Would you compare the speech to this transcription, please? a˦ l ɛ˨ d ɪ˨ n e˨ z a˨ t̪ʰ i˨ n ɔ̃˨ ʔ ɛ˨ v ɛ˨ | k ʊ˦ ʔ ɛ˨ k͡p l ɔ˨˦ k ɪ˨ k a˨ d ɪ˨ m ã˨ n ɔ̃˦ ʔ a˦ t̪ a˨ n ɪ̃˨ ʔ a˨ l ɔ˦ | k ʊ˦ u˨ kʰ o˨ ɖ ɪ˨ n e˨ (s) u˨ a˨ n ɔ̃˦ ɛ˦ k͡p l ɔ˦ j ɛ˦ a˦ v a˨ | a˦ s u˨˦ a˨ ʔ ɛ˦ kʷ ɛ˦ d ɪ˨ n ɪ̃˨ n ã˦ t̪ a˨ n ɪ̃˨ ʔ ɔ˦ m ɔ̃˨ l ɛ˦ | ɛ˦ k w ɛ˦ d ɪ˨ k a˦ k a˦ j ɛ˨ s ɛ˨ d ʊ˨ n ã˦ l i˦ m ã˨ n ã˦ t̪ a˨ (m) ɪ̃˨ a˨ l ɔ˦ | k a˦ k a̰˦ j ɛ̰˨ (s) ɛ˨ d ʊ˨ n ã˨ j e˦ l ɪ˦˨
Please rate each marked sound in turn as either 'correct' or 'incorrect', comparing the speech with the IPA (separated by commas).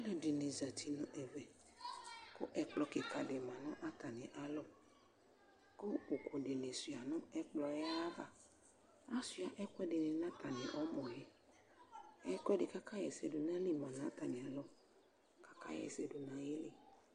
correct, incorrect, correct